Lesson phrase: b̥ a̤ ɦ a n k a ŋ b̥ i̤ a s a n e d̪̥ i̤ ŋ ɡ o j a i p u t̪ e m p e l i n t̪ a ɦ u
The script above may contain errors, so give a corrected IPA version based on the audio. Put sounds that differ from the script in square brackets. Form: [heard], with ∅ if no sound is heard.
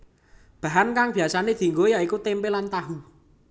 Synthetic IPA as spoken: b̥ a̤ ɦ a n k a ŋ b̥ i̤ a s a n e d̪̥ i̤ ŋ ɡ o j a i [k] u t̪ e m p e l [a] n t̪ a ɦ u